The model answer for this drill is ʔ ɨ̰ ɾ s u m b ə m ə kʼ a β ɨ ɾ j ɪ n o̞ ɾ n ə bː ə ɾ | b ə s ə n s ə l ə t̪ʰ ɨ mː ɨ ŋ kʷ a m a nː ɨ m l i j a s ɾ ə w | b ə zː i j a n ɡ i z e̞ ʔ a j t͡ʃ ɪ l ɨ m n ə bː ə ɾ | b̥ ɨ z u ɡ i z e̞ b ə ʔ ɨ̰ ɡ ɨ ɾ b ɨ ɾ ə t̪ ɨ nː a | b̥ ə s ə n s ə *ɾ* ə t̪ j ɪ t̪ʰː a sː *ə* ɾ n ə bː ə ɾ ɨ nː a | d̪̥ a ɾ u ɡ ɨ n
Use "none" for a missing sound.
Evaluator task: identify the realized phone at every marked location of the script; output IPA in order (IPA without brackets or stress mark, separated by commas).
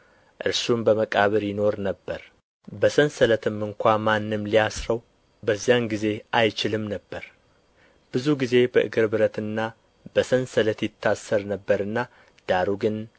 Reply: l, ə